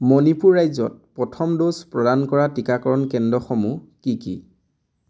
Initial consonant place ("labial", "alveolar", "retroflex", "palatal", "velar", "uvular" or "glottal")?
labial